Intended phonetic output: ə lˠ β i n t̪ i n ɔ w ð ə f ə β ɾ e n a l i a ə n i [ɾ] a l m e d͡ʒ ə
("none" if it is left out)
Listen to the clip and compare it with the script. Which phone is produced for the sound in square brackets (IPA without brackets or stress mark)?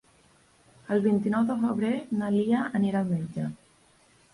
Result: ɾ